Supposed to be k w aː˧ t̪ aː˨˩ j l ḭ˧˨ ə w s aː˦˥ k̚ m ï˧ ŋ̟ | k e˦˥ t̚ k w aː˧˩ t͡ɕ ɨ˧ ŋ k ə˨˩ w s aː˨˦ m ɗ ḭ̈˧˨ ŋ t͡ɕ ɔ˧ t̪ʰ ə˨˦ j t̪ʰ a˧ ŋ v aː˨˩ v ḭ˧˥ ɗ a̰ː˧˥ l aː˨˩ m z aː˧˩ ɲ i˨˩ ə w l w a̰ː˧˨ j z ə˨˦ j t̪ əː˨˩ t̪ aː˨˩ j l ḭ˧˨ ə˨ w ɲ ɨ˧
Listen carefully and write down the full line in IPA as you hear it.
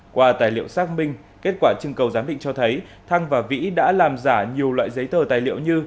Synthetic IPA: k w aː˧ t̪ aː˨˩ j l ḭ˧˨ ə w s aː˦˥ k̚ m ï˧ ŋ̟ | k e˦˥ t̚ k w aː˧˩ t͡ɕ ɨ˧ ŋ k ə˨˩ w z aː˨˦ m ɗ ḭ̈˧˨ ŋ t͡ɕ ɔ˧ t̪ʰ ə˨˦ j t̪ʰ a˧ ŋ v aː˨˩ v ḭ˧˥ ɗ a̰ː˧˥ l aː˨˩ m z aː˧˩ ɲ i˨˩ ə w l w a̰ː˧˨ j z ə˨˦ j t̪ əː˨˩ t̪ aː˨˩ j l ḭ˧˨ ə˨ w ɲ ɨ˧